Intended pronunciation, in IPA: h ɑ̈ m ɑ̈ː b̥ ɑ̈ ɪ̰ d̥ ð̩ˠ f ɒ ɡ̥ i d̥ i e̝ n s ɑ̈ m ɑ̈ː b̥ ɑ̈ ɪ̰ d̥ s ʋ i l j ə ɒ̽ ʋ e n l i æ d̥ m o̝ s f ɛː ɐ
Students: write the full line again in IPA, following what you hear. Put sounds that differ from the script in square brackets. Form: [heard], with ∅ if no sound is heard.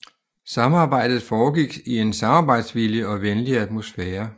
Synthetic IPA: [s] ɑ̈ m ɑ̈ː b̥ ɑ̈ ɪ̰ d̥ ð̩ˠ f [ɒː] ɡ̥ i [ɡ̥] i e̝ n s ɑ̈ m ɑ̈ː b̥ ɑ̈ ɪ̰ d̥ s ʋ i l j ə ɒ̽ ʋ e n l i æ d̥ m o̝ s f ɛː ɐ

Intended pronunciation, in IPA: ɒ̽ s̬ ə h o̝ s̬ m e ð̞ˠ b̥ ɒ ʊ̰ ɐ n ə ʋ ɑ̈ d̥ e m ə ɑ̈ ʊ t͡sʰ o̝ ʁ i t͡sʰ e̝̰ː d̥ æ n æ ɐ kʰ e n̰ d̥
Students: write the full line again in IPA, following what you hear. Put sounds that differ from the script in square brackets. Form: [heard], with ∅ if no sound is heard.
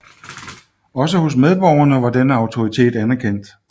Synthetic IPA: ɒ̽ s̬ ə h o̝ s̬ m e ð̞ˠ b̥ ɒ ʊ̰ ɐ n ə ʋ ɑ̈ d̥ e [n] ə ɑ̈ ʊ t͡sʰ o̝ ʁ i t͡sʰ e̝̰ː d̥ æ n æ ɐ kʰ e n̰ d̥

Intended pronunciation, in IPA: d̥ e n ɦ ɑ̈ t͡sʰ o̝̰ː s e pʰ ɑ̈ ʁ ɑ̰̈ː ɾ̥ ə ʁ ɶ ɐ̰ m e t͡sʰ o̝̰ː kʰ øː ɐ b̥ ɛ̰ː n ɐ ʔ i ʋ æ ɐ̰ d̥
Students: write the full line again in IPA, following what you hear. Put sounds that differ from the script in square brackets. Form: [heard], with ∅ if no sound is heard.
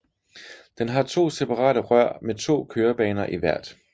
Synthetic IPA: d̥ e n ɦ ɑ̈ t͡sʰ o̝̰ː s e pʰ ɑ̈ ʁ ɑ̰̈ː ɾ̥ ə ʁ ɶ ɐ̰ m e t͡sʰ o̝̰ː kʰ øː ɐ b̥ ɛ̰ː n ɐ ʔ i ʋ æ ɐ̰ d̥

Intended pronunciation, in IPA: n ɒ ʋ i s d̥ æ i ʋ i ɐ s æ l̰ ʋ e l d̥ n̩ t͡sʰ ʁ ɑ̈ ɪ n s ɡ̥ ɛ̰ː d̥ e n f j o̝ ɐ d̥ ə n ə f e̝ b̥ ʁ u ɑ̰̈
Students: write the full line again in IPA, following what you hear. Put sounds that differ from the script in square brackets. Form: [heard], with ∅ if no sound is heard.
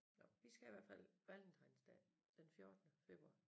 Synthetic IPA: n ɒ ʋ i s [ɡ̥] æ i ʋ [æ] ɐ [f] æ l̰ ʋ [æ] l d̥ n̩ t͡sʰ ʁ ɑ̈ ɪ n s [d̥] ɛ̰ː d̥ e n f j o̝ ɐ d̥ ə n ə f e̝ b̥ ʁ u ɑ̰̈

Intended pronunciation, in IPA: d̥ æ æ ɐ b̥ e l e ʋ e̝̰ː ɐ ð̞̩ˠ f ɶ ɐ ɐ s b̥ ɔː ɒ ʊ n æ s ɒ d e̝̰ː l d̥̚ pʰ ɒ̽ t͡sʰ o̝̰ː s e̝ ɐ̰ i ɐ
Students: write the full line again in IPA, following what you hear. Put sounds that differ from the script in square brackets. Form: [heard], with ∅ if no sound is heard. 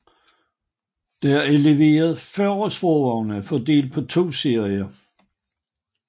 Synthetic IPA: d̥ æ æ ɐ [∅] e l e ʋ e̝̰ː ɐ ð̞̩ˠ f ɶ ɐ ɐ s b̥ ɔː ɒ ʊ n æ [f] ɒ d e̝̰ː l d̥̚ pʰ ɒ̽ t͡sʰ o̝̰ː s e̝ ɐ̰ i ɐ

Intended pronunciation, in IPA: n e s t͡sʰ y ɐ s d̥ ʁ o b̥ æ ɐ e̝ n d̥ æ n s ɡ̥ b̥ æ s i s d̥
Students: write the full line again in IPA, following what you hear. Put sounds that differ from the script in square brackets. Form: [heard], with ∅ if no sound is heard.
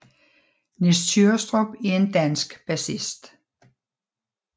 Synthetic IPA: n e s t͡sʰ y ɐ s d̥ ʁ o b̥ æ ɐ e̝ n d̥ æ n s ɡ̥ b̥ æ s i s d̥

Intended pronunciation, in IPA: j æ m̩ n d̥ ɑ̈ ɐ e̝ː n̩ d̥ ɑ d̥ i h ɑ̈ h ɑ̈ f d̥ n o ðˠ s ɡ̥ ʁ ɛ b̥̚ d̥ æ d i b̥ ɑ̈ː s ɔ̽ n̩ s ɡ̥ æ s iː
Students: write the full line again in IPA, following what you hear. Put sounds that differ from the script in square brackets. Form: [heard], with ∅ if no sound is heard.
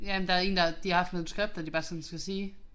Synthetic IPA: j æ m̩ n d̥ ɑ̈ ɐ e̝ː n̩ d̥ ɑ d̥ i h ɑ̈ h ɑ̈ f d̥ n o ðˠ s ɡ̥ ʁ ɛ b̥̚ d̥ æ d i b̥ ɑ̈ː s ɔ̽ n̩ s ɡ̥ æ s iː

